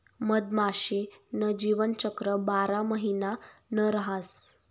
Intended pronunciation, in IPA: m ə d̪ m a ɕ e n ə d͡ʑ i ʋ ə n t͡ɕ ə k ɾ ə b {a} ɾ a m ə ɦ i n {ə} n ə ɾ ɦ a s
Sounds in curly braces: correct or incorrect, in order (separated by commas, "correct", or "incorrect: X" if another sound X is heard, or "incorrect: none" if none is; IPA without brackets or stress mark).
correct, incorrect: a